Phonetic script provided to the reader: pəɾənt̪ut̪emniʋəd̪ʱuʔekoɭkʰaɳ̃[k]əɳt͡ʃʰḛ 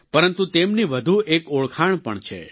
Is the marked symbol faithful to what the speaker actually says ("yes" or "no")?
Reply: no